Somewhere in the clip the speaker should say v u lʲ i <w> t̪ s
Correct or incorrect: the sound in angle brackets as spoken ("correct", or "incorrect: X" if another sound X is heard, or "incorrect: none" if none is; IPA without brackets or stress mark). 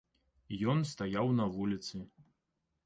incorrect: none